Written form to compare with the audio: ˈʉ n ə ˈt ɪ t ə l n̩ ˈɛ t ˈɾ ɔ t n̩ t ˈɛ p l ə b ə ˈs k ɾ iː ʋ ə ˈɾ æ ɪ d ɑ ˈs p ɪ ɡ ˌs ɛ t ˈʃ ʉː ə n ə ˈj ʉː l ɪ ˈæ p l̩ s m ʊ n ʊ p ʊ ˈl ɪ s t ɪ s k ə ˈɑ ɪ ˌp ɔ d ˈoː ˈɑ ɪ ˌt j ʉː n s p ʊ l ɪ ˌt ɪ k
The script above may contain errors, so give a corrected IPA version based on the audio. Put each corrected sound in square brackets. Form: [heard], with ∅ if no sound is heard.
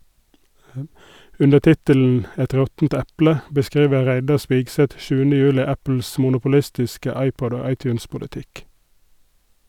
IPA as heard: ˈʉ n ə ˈt ɪ t ə l n̩ ˈɛ t ˈɾ ɔ t n̩ t ˈɛ p l ə b ə ˈs k ɾ iː ʋ ə ˈɾ æ ɪ d ɑ ˈs p ɪ ɡ ˌs ɛ t ˈʃ ʉː ə n ə ˈj ʉː l ɪ ˈæ p l̩ s m ʊ n ʊ p ʊ ˈl ɪ s t ɪ s k ə ˈɑ ɪ ˌp ɔ d ˈoː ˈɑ ɪ ˌt j ʉː n s p ʊ l ɪ ˌt ɪ k